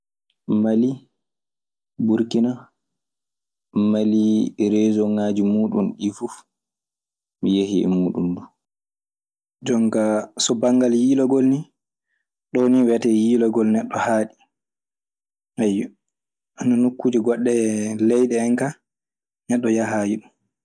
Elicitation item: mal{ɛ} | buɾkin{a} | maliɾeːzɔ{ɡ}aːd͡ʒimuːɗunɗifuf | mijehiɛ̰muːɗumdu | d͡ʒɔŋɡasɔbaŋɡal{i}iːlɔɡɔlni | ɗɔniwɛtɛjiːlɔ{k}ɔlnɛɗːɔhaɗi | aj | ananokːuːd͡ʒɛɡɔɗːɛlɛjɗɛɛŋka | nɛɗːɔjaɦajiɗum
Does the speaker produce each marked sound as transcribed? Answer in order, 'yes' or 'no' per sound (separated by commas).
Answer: no, yes, no, no, no